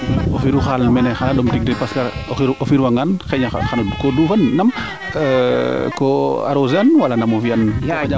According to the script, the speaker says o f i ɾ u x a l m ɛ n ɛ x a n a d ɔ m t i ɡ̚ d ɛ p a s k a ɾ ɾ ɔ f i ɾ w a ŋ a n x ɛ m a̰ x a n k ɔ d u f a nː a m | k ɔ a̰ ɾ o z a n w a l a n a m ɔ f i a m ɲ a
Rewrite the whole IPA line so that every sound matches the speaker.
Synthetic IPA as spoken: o f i ɾ u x a l m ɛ n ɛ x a n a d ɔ m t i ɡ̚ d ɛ p a s k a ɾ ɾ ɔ f i ɾ w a ŋ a n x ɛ ɲ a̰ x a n k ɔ d u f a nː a m | k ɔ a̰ ɾ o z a n w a l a n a m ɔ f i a n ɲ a